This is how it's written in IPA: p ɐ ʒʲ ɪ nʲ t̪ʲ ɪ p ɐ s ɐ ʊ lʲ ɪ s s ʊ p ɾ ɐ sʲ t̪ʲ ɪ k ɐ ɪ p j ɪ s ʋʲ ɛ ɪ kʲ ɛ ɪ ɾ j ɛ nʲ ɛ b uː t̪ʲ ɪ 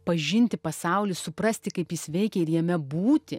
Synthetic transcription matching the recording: p ɐ ʒʲ ɪ nʲ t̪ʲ ɪ p ɐ s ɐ ʊ lʲ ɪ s s ʊ p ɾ ɐ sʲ t̪ʲ ɪ k ɐ ɪ p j ɪ s ʋʲ ɛ ɪ kʲ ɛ ɪ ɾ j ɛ mʲ ɛ b uː t̪ʲ ɪ